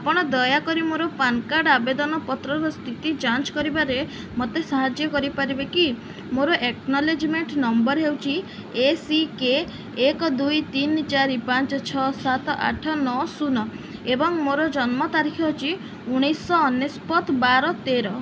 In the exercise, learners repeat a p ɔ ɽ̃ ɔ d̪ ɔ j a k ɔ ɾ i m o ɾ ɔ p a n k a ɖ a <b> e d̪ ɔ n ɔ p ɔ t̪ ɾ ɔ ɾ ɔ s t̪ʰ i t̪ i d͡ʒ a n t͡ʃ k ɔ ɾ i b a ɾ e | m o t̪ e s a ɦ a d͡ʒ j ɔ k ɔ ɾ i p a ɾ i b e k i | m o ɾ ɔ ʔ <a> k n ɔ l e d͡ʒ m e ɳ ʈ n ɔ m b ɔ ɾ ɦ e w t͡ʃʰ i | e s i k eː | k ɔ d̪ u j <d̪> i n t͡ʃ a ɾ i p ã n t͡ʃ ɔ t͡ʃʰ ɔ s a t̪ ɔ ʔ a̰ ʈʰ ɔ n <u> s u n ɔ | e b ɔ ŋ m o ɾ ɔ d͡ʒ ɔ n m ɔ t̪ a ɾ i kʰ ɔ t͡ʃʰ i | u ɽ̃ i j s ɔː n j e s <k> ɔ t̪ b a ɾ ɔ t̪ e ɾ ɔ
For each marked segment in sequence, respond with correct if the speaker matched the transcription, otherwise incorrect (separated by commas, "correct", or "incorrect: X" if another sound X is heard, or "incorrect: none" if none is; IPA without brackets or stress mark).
correct, incorrect: e, incorrect: t̪, incorrect: ɔ, incorrect: p